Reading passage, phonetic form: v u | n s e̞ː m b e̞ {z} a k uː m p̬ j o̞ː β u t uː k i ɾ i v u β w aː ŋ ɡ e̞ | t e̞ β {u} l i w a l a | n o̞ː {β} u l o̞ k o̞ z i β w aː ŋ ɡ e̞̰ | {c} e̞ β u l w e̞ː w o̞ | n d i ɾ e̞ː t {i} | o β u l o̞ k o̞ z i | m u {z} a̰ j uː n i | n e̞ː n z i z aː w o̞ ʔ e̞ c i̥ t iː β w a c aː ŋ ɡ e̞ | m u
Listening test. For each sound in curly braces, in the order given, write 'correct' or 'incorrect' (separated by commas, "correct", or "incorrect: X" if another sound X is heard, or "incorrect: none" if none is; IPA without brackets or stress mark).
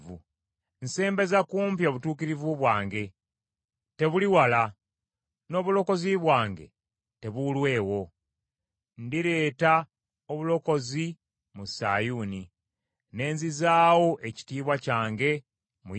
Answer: correct, correct, correct, incorrect: t, incorrect: a, incorrect: s